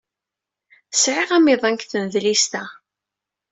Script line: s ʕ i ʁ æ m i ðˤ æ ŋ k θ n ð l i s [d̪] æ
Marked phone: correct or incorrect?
incorrect